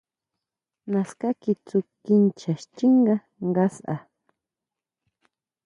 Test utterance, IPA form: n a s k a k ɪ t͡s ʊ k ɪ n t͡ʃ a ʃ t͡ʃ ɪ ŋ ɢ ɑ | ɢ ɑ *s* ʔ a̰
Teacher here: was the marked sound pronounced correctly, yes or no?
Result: yes